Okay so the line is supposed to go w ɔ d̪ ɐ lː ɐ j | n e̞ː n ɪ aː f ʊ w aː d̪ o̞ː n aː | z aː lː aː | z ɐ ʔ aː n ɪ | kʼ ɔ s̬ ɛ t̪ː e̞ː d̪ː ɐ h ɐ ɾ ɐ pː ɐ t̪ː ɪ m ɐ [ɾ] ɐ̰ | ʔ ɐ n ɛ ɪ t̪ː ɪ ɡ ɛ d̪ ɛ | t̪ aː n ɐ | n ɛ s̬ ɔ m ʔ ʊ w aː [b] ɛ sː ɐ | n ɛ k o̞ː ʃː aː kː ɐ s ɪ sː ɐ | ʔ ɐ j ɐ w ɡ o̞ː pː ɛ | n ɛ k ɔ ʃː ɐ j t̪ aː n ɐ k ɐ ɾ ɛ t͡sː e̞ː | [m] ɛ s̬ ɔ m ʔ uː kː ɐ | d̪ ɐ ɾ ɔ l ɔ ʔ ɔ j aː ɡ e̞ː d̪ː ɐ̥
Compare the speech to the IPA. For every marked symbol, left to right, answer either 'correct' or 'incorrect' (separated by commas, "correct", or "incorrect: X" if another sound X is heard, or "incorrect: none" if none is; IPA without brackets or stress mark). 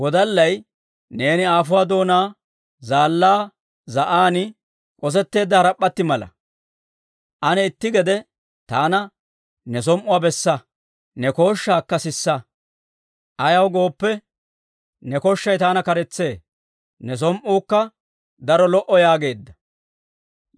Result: incorrect: l, correct, incorrect: n